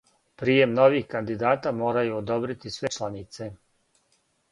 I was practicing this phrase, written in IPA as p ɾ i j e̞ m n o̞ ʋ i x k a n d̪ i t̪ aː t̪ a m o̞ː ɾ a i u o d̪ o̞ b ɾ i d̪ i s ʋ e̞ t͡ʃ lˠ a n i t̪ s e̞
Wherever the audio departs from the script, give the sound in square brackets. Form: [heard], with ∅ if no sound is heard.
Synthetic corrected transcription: p ɾ i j e̞ m n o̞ ʋ i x k a n d̪ i [d̪] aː t̪ a m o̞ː ɾ a [j] u o d̪ o̞ b ɾ i [t̪] i s ʋ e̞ t͡ʃ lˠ a n i t̪ s e̞